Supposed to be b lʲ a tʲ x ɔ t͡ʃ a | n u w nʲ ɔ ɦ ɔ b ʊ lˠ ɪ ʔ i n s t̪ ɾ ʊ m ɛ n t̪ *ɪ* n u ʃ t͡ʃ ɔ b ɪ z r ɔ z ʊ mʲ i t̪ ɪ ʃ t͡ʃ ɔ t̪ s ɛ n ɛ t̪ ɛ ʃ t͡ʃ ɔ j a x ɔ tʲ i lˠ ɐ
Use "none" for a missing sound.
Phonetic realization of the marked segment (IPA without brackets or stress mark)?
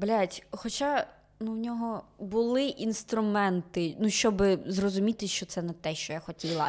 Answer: ɪ